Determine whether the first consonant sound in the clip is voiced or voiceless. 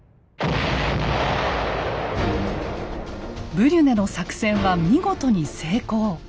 voiced